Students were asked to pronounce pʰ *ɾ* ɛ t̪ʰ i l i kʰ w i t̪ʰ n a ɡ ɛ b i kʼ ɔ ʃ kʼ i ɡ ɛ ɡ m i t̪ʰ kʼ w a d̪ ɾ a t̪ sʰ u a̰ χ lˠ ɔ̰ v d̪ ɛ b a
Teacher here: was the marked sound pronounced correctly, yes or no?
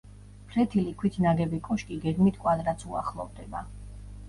yes